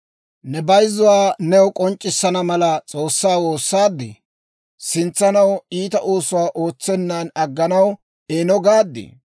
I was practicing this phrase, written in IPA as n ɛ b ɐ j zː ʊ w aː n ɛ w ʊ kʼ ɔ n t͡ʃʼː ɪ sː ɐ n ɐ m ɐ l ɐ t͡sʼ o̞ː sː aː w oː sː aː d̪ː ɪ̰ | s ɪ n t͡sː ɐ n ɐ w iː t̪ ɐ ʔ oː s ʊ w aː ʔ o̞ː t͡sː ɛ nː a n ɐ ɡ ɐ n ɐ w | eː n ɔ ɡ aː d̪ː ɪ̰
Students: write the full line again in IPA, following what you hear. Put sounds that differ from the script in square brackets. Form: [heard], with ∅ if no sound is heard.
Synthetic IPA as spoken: n ɛ b ɐ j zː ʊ w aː n ɛ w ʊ kʼ ɔ n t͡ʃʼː ɪ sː ɐ n ɐ m ɐ l ɐ t͡sʼ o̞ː sː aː w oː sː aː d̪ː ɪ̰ | s ɪ n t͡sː ɐ n ɐ w iː t̪ ɐ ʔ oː s ʊ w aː ʔ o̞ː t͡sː ɛ nː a n ɐ [ɡː] ɐ n ɐ w | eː n ɔ ɡ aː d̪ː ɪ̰